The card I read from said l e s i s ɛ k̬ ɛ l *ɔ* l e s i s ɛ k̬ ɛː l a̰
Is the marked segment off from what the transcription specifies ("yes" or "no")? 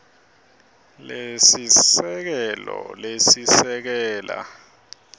no